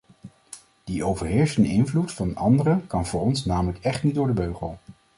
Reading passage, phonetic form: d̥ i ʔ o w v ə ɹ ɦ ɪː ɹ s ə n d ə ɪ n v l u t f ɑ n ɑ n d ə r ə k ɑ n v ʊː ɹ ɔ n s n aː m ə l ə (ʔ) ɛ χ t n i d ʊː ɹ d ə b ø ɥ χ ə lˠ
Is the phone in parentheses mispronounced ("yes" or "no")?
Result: yes